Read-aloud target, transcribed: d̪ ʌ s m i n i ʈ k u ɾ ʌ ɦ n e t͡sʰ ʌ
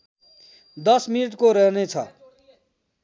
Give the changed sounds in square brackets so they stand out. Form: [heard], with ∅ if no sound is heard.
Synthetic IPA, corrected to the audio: d̪ ʌ s m i n i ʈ k [o] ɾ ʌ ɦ n e t͡sʰ ʌ